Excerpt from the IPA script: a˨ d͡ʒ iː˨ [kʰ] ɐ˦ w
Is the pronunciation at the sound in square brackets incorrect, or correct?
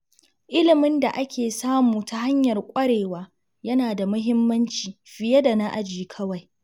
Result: correct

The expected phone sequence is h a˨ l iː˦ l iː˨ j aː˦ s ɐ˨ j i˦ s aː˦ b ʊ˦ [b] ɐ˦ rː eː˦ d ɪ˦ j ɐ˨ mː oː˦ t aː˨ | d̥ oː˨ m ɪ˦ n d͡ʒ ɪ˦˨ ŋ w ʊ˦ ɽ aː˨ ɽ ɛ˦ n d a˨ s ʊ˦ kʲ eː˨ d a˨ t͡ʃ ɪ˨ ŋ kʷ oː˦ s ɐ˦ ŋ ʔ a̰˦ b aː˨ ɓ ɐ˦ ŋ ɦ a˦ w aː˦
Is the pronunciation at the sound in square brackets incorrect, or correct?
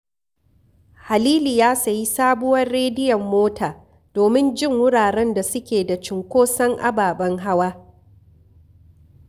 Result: incorrect: w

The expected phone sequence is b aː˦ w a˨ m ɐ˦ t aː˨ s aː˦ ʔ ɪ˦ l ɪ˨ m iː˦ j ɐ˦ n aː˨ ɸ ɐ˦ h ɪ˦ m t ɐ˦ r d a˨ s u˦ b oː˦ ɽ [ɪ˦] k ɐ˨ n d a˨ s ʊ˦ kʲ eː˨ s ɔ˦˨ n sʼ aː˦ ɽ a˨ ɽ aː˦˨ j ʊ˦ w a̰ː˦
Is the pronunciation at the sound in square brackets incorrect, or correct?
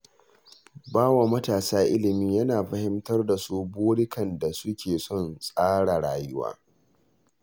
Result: correct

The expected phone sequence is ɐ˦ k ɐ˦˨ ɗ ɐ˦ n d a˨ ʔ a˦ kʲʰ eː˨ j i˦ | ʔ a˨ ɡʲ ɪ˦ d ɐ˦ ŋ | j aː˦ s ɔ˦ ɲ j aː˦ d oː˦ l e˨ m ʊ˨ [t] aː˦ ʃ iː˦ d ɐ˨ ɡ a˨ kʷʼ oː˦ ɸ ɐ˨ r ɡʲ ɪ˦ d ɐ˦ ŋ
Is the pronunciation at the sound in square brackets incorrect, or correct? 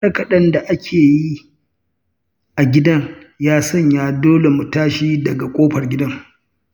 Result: correct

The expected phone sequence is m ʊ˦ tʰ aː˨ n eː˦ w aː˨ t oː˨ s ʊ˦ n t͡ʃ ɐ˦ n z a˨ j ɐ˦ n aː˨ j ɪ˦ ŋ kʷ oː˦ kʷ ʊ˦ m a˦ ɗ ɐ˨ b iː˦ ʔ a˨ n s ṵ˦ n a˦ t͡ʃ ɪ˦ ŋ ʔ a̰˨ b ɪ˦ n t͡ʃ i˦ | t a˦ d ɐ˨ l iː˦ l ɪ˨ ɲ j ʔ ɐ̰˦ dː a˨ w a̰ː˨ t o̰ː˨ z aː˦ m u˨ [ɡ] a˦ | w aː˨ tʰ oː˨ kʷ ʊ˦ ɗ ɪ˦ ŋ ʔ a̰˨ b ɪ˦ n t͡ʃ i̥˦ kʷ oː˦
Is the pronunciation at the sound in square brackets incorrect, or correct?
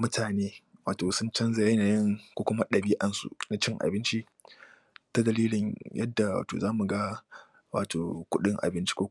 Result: correct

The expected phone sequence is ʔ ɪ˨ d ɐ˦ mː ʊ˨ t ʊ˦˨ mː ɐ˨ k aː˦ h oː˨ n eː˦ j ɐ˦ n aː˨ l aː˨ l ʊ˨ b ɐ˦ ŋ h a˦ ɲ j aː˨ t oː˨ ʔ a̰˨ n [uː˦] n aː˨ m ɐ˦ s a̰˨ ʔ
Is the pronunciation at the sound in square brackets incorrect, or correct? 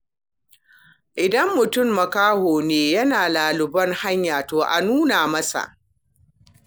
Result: correct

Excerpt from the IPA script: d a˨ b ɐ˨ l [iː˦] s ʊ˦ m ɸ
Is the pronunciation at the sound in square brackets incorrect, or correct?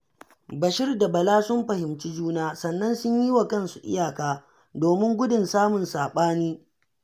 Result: incorrect: aː˦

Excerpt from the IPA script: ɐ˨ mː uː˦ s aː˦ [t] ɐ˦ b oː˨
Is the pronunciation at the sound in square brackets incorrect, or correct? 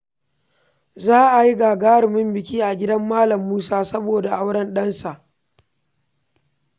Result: incorrect: s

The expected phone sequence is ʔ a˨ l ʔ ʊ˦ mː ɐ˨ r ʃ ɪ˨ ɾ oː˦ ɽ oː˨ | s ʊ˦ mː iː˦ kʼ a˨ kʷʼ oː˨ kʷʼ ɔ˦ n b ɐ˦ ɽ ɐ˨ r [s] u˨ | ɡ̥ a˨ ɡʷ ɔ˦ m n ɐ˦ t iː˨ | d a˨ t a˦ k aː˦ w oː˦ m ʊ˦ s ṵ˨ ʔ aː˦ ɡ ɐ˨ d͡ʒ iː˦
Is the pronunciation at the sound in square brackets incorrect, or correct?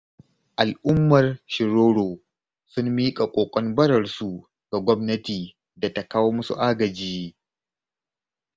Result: correct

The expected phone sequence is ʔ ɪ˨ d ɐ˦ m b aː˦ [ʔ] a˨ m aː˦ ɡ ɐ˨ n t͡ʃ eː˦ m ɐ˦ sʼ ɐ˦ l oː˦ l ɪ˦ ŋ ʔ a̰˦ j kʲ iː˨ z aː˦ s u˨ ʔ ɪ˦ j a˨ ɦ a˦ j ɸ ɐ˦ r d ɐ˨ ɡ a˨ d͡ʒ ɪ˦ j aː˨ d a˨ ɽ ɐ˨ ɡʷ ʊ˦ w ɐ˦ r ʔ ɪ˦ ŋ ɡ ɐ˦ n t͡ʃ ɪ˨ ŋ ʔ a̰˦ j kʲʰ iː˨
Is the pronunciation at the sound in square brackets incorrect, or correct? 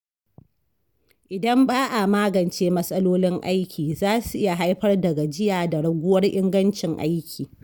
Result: correct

